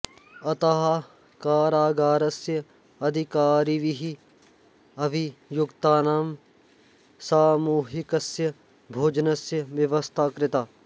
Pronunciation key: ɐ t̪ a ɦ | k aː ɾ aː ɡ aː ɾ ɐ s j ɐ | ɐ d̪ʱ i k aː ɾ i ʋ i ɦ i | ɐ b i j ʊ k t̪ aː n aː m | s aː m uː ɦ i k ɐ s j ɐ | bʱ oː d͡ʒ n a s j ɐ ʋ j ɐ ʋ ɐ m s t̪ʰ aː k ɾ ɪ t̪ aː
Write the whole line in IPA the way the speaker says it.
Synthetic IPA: ɐ t̪ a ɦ | k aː ɾ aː ɡ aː ɾ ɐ s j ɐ | ɐ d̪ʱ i k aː ɾ i ʋ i ɦ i | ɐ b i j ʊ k t̪ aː n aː m | s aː m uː ɦ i k ɐ s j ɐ | bʱ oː d͡ʒ n ɐ s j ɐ ʋ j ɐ ʋ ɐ s t̪ʰ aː k ɾ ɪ t̪ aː